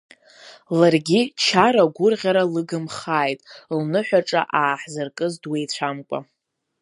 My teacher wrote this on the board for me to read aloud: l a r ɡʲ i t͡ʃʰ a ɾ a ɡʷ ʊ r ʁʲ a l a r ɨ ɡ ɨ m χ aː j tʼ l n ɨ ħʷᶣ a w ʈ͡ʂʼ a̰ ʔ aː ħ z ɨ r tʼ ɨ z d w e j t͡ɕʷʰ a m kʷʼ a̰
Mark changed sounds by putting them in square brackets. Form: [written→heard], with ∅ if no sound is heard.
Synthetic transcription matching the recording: l a r ɡʲ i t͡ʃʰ a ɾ a ɡʷ ʊ r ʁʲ a [l→ɾ] a [r→l] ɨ ɡ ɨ m χ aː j tʼ l n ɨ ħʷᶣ a [w→∅] ʈ͡ʂʼ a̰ ʔ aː ħ z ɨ r [tʼ→kʼ] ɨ z d w e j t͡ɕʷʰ a m kʷʼ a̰